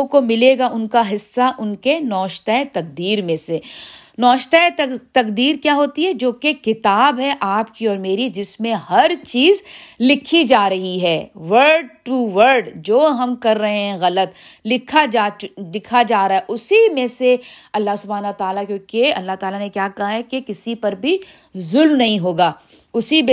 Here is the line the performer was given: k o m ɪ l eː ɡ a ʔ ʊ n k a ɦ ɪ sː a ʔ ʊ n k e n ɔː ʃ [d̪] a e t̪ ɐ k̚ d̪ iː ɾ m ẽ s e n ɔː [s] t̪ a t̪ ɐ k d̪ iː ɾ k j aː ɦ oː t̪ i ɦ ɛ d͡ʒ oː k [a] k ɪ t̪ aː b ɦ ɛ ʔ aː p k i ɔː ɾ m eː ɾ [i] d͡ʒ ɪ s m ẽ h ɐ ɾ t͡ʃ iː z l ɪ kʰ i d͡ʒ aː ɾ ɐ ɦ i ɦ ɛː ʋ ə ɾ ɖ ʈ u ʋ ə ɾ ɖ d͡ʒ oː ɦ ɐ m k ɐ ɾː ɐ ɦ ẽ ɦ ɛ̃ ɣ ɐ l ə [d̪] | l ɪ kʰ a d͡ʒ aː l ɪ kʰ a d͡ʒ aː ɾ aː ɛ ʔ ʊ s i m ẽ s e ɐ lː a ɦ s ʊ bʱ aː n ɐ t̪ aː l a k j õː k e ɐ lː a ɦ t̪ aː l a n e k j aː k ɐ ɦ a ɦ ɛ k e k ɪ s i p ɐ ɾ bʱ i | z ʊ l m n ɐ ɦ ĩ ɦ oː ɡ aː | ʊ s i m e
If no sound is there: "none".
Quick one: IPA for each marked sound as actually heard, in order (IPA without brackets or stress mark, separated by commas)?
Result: t̪, ʃ, e, i, t̪